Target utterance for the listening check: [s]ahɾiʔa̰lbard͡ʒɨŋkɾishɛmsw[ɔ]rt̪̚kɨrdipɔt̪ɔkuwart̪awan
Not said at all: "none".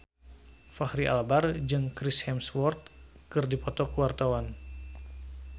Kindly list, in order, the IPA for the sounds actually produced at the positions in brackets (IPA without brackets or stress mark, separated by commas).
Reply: f, ɔ